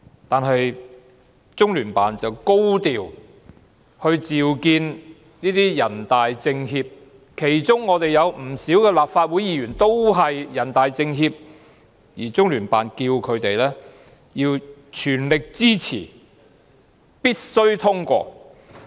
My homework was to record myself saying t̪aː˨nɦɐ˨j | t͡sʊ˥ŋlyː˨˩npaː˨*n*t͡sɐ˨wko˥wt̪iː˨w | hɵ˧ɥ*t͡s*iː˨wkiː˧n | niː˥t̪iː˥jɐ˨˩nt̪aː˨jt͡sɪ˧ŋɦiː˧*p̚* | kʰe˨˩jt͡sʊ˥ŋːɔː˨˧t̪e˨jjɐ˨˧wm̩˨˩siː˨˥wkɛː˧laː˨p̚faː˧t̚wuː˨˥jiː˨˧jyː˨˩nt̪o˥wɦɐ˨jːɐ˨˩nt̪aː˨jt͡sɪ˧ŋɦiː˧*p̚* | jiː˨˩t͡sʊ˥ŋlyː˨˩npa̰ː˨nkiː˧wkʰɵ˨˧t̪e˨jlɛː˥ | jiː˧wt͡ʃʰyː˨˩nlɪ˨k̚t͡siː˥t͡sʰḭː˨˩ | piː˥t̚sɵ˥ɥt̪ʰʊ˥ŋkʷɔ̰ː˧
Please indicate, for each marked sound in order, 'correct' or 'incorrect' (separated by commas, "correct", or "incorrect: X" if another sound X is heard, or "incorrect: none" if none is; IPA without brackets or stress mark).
correct, correct, correct, correct